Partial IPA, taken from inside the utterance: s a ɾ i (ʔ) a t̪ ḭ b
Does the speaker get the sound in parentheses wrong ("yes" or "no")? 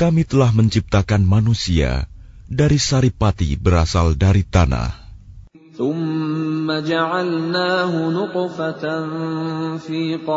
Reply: yes